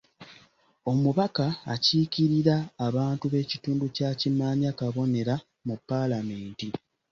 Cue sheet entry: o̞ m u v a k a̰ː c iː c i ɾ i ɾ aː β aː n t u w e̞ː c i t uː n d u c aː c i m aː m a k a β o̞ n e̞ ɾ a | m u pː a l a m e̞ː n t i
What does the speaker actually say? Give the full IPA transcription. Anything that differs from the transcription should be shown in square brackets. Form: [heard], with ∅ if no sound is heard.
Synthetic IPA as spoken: o̞ m u [β] a k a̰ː c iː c i ɾ i ɾ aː β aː n t u [β] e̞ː c i t uː n d u c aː c i m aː [ɲ] a k a β o̞ n e̞ ɾ a | m u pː a l a m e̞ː n t i